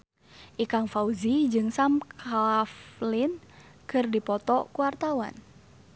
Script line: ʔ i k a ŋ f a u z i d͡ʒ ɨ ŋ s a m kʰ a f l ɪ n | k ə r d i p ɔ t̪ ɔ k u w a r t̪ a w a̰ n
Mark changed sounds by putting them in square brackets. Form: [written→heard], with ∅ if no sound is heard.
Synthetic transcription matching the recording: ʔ i k a ŋ f a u z i d͡ʒ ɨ ŋ s a m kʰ a f l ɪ n | k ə r d i p ɔ t̪ ɔ k u w a r t̪ a w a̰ n